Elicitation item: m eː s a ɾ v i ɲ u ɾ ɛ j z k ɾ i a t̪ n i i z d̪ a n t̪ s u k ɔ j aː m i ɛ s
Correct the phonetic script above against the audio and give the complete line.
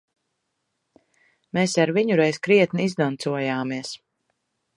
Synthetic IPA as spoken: m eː s a ɾ v i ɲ u ɾ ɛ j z k ɾ i ɛ t̪ n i i z d̪ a n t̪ s u ɔ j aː m i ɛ s